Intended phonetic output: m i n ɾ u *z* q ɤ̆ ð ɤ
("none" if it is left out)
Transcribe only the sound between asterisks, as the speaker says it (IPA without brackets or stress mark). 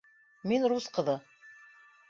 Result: s